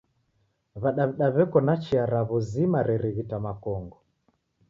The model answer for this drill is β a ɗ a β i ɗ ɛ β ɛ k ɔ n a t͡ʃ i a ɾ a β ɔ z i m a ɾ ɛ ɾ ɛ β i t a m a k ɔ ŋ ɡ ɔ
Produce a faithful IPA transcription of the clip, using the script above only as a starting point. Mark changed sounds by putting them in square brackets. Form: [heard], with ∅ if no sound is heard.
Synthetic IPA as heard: β a ɗ a β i ɗ [a] β ɛ k ɔ n a t͡ʃ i a ɾ a β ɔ z i m a ɾ ɛ ɾ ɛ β i t a m a k ɔ ŋ ɡ ɔ